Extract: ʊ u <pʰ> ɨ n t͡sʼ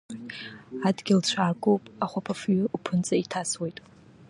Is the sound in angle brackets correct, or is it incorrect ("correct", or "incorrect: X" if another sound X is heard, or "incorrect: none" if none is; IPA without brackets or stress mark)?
correct